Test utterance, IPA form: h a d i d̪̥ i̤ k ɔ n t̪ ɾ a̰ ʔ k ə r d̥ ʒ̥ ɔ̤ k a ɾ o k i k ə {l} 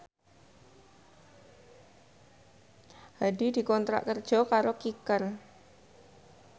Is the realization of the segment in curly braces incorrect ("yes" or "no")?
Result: yes